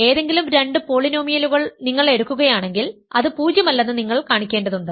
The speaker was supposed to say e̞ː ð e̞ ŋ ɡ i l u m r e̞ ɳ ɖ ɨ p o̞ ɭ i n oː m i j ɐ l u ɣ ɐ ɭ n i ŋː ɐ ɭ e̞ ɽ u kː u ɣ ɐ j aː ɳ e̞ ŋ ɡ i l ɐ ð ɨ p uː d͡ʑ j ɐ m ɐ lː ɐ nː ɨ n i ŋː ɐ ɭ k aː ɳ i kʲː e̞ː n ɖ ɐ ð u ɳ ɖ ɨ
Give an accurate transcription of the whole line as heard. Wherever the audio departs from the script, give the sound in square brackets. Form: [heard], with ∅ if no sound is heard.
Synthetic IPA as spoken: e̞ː ð e̞ ŋ ɡ i l u m [ɾ] e̞ ɳ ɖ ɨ p o̞ ɭ i n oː m i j ɐ l u ɣ ɐ ɭ n i ŋː ɐ ɭ e̞ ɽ u kː u ɣ ɐ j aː ɳ e̞ ŋ ɡ i l ɐ ð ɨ p uː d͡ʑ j ɐ m ɐ lː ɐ nː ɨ n i ŋː ɐ ɭ k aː ɳ i kʲː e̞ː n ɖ ɐ ð u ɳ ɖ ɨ